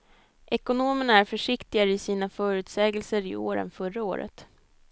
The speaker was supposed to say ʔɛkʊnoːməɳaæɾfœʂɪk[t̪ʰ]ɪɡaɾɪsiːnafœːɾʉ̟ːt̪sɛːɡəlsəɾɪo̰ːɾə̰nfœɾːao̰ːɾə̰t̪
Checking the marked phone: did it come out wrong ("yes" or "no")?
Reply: yes